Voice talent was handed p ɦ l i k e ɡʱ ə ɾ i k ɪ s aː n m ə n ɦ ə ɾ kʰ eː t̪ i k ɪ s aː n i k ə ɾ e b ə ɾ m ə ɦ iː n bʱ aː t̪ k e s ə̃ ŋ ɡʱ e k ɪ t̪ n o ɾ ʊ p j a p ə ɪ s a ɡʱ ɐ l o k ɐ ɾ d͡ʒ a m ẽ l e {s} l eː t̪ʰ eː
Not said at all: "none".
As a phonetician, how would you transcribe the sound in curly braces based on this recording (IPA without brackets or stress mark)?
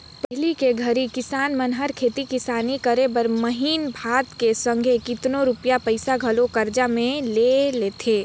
none